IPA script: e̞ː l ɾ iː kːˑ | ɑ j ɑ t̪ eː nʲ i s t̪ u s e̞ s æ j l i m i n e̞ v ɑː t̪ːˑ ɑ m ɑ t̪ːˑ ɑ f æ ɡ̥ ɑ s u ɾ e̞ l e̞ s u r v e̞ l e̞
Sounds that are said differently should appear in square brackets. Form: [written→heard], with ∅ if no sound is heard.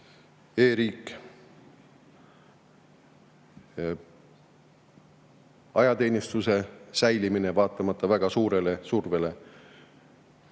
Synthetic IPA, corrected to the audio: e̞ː [l→∅] ɾ iː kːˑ | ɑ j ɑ t̪ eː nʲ i s t̪ u s e̞ s æ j l i m i n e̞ v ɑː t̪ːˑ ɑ m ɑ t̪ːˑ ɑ [f→v] æ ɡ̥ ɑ s [u→uː] ɾ e̞ l e̞ s u r v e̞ l e̞